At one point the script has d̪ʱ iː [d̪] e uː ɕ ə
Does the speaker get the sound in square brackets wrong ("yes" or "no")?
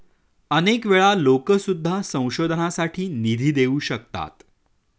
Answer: no